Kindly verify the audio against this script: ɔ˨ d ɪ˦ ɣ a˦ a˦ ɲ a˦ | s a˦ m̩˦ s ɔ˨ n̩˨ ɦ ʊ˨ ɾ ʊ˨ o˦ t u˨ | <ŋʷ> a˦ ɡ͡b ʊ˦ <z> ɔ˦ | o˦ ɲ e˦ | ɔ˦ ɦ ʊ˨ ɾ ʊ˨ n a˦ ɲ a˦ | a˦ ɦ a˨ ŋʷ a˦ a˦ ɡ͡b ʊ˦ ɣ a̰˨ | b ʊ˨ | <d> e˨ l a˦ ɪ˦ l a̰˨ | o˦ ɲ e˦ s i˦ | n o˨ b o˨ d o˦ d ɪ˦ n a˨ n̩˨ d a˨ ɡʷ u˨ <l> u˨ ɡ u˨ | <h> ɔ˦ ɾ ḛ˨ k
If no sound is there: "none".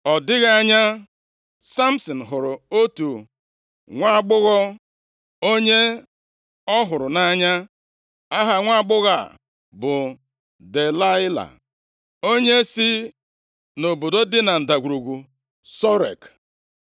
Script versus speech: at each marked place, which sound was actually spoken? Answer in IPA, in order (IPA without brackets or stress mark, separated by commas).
ŋʷ, ɣ, d, ɾ, s